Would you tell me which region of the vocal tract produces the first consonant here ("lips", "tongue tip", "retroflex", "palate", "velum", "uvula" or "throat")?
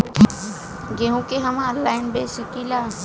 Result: velum